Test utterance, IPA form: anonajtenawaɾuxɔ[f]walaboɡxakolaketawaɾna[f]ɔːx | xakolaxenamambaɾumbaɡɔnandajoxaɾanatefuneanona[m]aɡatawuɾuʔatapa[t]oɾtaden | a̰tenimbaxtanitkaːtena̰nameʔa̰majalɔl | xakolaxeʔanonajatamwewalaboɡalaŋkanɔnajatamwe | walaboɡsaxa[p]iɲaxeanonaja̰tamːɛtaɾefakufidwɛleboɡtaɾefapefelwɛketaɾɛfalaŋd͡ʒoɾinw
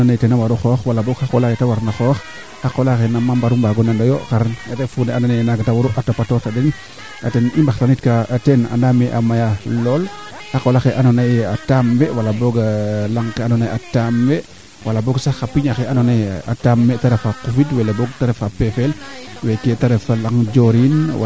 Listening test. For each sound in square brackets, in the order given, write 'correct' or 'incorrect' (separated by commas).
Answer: incorrect, incorrect, incorrect, correct, correct